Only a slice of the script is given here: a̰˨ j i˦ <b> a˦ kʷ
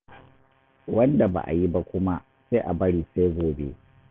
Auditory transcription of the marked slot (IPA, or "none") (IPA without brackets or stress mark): b